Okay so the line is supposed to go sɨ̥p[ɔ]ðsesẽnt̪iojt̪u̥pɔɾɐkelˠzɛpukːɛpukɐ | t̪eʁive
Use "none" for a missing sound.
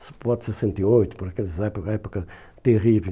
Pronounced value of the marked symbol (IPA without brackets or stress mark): ɔ